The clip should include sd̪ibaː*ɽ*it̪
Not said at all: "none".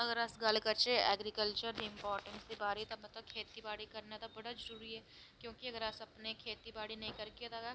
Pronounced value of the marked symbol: ɾ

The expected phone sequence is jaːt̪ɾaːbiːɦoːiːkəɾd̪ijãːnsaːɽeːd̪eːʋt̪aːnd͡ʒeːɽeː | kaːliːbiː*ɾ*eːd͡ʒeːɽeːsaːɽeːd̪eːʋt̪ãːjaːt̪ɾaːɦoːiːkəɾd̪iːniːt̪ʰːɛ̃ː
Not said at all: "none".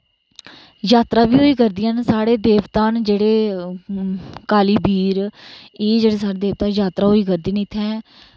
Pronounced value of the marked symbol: ɾ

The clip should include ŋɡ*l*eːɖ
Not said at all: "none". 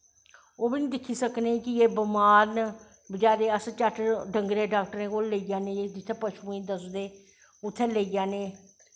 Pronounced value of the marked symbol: ɾ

